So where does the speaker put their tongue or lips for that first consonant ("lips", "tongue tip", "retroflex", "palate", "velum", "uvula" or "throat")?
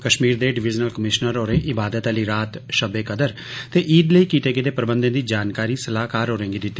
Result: velum